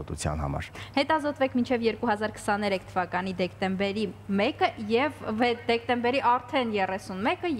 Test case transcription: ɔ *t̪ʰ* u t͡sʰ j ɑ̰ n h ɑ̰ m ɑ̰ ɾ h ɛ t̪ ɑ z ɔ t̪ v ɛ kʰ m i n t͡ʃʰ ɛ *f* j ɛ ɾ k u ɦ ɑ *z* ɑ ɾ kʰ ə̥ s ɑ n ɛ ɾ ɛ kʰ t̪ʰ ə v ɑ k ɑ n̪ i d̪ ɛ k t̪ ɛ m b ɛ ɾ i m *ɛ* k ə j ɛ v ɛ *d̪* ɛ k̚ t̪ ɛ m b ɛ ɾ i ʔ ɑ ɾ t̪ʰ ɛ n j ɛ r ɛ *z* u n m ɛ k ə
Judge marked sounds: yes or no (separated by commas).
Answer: no, no, yes, yes, yes, no